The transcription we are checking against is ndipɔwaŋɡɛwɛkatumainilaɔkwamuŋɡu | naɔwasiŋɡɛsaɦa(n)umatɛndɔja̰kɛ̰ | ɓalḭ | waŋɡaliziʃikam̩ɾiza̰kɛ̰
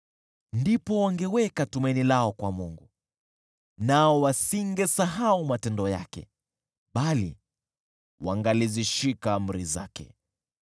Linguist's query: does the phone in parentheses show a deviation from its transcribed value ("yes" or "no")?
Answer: yes